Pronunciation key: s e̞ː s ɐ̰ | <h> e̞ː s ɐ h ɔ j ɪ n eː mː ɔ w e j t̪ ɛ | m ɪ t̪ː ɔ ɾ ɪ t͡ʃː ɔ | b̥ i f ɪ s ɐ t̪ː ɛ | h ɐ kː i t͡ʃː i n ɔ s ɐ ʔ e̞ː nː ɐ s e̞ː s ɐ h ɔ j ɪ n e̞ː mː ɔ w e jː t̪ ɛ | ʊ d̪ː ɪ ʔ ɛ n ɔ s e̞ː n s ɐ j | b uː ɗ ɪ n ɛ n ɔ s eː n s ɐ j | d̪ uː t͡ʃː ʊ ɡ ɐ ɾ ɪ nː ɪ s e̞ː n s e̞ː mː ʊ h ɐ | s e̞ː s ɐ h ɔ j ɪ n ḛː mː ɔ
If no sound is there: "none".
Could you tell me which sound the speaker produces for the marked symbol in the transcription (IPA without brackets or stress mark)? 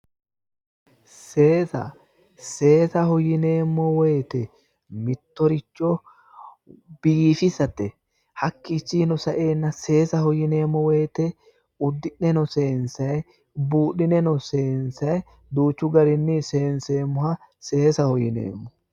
s